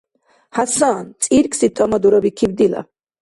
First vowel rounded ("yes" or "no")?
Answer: no